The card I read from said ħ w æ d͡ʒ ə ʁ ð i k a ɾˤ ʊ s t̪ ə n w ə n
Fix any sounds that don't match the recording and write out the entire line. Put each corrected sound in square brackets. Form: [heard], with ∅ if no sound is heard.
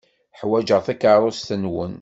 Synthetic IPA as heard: ħ w æ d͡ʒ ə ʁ [θ] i k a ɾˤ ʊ s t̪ ə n w ə n